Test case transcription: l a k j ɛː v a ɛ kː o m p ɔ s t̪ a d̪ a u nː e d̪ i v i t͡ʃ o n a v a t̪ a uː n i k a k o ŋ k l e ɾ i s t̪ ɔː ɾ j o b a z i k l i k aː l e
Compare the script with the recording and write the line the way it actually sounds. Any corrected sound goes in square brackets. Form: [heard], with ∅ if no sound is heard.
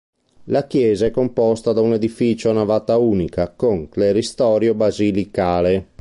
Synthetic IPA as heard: l a k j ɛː [z] a ɛ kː o m p ɔ s t̪ a d̪ a u [n] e d̪ i [f] i t͡ʃ o n a v a t̪ a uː n i k a k o ŋ k l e ɾ i s t̪ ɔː ɾ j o b a z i [∅] l i k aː l e